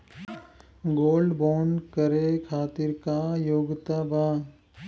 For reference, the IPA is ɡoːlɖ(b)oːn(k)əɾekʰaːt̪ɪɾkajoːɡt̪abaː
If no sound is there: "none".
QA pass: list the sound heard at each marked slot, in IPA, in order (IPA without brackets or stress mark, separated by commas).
b, k